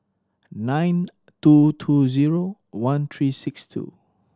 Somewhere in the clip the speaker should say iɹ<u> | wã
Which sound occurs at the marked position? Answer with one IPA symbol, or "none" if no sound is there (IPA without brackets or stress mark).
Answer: o